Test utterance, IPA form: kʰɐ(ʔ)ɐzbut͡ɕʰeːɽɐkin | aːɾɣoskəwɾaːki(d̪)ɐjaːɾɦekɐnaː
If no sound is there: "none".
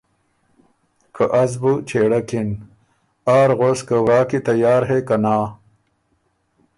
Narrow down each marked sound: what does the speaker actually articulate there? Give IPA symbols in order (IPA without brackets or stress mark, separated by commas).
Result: ʔ, t̪